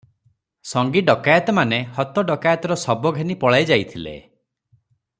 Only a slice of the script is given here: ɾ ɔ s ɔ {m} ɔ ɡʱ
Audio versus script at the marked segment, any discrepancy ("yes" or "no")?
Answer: yes